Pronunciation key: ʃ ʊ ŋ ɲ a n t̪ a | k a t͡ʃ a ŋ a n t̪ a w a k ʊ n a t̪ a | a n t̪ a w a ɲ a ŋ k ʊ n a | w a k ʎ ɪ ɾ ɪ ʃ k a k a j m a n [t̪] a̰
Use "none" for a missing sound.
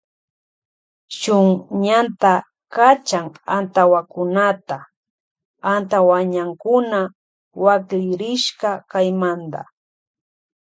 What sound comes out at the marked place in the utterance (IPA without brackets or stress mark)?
d̪